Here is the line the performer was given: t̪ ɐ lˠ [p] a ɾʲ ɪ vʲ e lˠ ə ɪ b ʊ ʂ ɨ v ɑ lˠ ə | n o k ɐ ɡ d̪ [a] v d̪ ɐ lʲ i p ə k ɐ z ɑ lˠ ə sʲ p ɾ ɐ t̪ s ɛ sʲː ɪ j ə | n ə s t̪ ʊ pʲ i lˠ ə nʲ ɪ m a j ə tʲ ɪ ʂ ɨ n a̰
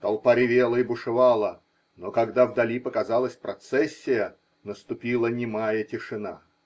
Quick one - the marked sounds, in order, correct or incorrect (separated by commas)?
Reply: correct, correct